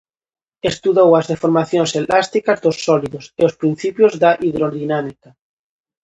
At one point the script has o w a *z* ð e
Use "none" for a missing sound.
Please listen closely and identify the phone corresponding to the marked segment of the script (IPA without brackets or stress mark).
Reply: z